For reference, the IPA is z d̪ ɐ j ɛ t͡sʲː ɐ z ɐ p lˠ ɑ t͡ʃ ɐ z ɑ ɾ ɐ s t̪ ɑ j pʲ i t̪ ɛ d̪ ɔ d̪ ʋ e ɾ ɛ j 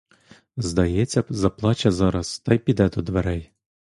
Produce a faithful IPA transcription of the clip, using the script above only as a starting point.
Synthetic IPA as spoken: z d̪ ɐ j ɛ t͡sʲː ɐ z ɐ p lˠ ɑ t͡ʃ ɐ z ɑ ɾ ɐ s t̪ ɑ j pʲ i d̪ ɛ d̪ ɔ d̪ ʋ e ɾ ɛ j